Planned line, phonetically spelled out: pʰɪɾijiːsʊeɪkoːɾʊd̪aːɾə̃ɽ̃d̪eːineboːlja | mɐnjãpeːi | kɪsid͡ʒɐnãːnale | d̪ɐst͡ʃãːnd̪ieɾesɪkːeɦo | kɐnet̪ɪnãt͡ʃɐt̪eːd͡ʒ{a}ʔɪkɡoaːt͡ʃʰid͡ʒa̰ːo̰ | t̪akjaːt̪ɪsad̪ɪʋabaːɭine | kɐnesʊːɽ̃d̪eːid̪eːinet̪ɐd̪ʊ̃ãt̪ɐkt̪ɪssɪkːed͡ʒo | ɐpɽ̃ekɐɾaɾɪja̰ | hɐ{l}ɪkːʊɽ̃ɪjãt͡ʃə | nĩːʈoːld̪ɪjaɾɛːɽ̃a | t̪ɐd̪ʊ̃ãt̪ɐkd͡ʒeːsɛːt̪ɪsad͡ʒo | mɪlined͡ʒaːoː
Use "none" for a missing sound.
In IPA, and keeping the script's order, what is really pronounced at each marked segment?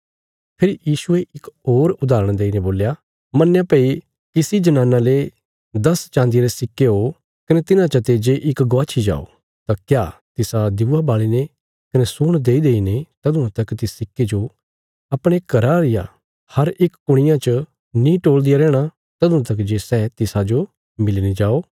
e, ɾ

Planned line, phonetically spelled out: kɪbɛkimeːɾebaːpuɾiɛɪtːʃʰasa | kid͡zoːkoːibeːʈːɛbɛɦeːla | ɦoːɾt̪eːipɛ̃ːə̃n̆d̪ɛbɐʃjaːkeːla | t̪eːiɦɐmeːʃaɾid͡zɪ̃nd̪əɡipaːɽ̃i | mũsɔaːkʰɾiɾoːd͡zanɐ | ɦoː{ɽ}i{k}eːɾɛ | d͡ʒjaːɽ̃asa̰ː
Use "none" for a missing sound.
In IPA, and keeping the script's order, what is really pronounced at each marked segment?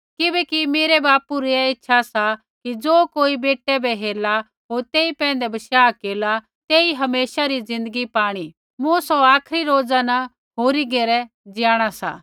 ɾ, ɡ

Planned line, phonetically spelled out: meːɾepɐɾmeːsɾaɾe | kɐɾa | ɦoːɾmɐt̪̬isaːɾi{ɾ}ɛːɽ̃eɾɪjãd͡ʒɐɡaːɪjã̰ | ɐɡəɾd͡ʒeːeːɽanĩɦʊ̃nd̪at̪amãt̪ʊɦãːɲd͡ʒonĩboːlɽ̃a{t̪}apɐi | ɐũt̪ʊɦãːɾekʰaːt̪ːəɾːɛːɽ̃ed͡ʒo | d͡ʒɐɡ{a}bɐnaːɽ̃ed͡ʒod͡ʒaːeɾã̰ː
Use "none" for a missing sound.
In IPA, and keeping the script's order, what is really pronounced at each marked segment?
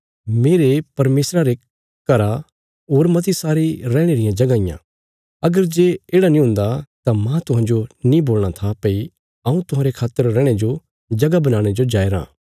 ɾ, t̪ʰ, a

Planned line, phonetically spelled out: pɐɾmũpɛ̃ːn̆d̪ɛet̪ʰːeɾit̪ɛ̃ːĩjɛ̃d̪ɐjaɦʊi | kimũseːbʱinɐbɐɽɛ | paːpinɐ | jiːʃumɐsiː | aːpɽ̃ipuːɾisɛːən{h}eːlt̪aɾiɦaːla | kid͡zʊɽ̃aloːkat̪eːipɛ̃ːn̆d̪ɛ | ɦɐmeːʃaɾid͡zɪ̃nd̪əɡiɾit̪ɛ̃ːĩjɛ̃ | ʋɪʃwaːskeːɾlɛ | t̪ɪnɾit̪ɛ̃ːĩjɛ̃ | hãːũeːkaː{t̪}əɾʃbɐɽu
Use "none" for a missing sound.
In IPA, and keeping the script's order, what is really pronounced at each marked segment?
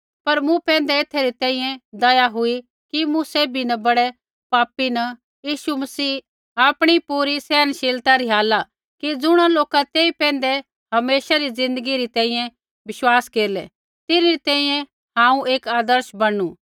ʃ, d̪

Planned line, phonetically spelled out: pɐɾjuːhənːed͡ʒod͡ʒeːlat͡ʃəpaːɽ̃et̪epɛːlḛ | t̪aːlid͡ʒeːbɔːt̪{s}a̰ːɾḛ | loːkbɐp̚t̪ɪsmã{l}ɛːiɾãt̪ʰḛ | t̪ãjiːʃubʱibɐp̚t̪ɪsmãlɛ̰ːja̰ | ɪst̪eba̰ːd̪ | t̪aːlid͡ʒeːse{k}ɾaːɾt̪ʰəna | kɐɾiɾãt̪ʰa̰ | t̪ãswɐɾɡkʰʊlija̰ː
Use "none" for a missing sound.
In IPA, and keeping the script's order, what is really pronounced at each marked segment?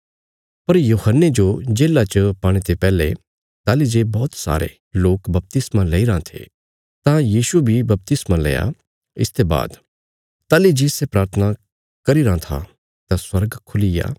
s, l, p

